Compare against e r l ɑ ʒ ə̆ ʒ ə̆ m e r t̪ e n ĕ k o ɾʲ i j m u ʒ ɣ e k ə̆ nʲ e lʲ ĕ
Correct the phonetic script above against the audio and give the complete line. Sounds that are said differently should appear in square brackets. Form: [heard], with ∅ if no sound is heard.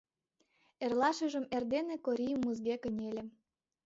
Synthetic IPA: e r l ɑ [ʃ] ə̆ ʒ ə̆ m e r [d̪] e n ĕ k o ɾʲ i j m u [z] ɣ e k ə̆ nʲ e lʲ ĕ